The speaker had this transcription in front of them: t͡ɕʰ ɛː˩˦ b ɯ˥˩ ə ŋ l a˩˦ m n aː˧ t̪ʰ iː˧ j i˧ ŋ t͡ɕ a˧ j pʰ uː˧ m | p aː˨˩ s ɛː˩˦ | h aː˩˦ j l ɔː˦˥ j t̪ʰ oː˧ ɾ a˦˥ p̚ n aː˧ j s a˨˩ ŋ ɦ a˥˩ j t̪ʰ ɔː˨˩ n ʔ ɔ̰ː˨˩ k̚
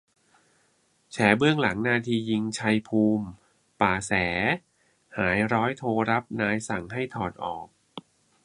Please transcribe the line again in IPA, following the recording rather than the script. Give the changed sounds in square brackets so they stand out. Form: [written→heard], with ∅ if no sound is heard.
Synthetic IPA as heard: t͡ɕʰ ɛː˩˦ b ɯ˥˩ ə ŋ l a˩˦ [m→ŋ] n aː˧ t̪ʰ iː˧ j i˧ ŋ [t͡ɕ→t͡ɕʰ] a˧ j pʰ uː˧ m | p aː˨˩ s ɛː˩˦ | h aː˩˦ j [l→ɾ] ɔː˦˥ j t̪ʰ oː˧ ɾ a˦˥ p̚ n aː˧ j s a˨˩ ŋ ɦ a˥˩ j t̪ʰ ɔː˨˩ n ʔ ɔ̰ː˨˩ k̚